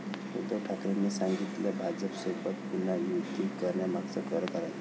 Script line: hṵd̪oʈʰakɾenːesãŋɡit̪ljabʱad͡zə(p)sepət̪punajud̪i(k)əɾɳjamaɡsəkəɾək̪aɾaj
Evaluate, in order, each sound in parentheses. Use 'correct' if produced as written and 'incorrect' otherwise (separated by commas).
correct, correct